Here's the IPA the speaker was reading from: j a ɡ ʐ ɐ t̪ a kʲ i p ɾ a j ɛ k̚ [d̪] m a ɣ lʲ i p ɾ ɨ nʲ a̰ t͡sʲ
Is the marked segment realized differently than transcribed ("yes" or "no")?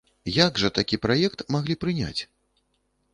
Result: yes